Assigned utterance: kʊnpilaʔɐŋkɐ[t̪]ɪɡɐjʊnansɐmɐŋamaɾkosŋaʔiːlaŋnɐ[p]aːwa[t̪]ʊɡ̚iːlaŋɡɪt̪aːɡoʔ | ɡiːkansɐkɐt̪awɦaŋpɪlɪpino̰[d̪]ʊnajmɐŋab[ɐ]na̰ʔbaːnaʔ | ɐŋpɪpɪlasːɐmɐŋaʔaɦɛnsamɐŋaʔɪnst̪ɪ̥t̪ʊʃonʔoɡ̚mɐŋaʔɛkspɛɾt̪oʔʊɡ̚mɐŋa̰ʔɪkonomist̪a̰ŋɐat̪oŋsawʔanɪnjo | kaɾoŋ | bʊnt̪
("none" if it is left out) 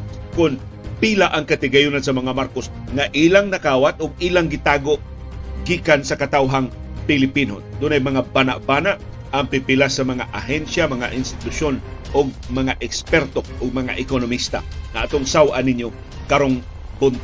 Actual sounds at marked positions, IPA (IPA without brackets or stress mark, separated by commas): t̪, k, t̪, d̪, a